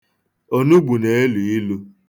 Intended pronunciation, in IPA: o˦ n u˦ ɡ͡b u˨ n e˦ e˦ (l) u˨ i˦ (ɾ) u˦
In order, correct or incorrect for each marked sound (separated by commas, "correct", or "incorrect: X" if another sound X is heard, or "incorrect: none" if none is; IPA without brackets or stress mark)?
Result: correct, incorrect: l